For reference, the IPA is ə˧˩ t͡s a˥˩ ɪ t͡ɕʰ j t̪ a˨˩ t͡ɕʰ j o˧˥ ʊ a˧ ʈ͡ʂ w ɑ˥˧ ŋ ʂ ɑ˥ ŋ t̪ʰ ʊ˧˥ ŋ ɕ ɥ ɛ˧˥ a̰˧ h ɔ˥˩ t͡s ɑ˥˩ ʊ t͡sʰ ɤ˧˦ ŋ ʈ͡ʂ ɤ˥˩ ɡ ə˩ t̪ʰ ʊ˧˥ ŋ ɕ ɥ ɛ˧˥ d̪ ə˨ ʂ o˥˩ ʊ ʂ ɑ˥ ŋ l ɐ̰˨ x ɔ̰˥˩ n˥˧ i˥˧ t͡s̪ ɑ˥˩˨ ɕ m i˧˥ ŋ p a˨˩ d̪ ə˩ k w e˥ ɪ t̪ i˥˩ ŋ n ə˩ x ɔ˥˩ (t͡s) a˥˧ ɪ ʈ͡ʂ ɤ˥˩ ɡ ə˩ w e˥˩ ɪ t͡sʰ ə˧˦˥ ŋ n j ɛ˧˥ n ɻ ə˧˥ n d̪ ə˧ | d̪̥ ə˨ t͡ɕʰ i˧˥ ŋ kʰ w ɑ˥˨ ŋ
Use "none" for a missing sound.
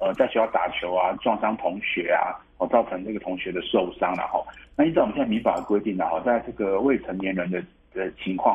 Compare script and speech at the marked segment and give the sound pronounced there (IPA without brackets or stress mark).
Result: t͡s